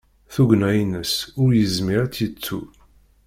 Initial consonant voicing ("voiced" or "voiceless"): voiceless